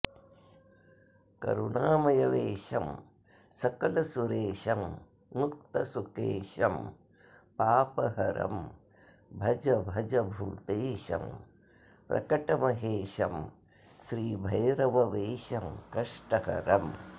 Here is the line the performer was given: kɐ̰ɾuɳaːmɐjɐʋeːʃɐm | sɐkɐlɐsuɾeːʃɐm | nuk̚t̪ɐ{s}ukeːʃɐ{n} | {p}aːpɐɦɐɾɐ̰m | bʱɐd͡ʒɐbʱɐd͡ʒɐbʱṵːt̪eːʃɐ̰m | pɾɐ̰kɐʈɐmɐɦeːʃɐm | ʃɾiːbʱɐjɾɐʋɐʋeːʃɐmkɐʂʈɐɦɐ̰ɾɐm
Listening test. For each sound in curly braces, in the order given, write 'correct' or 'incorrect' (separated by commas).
correct, incorrect, correct